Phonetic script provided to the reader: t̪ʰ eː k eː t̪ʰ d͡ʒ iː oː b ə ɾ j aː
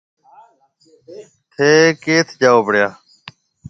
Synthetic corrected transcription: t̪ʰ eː k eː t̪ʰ d͡ʒ aː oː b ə ɽ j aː